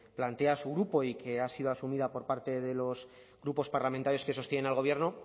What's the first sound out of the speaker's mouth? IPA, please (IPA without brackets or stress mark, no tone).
p